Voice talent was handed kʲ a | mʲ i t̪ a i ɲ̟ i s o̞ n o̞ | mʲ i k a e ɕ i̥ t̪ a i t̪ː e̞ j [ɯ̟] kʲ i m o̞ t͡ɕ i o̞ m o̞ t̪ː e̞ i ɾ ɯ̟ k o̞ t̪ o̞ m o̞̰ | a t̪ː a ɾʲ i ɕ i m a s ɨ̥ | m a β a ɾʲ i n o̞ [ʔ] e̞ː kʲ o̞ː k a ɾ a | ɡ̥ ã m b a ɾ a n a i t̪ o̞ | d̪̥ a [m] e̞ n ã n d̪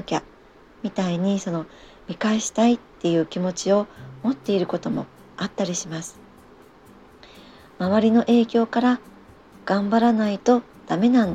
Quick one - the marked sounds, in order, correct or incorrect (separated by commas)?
incorrect, correct, correct